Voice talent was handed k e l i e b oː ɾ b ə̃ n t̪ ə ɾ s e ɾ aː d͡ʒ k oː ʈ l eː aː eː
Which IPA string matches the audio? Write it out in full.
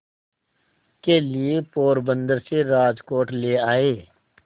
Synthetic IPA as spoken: k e l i e p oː ɾ b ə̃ n d̪ ə ɾ s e ɾ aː d͡ʒ k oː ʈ l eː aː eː